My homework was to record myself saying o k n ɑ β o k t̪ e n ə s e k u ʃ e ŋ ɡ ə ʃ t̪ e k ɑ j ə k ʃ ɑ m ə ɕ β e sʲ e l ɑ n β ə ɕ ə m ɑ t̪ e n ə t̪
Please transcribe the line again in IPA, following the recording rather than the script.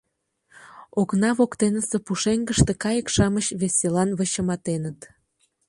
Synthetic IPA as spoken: o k n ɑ β o k t̪ e n ə s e p u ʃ e ŋ ɡ ə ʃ t̪ e k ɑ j ə k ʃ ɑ m ə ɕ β e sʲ e l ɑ n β ə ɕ ə m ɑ t̪ e n ə t̪